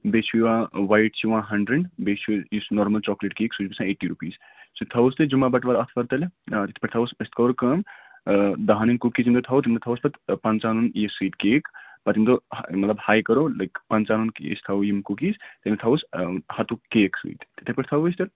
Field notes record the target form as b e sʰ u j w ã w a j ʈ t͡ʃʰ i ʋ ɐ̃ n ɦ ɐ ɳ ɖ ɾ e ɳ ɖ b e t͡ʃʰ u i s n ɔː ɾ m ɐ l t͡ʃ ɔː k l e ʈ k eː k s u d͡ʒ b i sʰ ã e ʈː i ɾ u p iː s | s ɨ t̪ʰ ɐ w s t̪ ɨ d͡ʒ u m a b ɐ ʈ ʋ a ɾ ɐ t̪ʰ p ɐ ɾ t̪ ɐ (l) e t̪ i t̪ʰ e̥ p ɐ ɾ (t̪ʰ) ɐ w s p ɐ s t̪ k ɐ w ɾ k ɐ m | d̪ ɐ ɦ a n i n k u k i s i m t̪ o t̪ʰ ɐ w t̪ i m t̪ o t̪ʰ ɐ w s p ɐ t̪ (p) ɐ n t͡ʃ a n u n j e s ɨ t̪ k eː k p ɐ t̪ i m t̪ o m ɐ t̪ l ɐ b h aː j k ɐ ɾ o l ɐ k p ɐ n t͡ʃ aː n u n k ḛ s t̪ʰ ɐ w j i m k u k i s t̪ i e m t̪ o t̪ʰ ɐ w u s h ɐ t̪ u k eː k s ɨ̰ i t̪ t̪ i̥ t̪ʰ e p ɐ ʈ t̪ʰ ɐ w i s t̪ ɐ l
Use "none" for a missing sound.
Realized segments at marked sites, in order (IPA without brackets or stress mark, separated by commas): l, t̪ʰ, p